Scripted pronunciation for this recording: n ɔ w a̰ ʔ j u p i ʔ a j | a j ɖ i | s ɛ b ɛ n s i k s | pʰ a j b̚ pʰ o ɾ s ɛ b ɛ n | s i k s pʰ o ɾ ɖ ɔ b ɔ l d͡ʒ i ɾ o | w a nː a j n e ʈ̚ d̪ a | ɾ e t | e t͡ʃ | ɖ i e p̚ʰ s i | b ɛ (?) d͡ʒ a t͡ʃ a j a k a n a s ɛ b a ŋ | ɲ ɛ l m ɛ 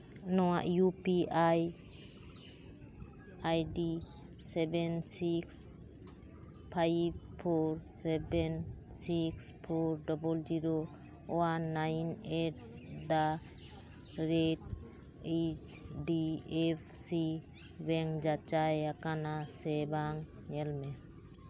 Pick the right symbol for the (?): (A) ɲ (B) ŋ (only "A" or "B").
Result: B